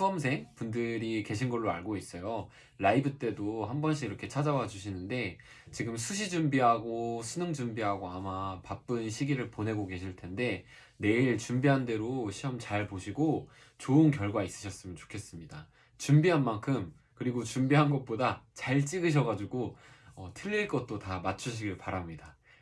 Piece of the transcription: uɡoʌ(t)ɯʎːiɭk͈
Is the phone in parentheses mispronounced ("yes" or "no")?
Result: yes